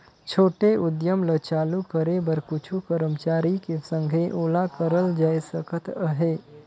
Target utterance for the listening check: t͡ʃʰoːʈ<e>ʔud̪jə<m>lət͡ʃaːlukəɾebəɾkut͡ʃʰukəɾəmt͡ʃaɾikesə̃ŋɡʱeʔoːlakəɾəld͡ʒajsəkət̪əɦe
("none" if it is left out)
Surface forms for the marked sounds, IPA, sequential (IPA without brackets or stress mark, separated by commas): e, m